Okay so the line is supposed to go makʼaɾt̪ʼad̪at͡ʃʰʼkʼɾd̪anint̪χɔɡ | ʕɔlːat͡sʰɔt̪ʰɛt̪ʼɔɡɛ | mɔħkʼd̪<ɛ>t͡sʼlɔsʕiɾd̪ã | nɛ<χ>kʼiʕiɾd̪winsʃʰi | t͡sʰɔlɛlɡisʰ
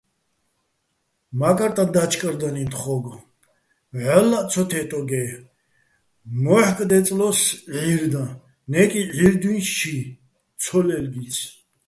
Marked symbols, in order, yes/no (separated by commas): yes, no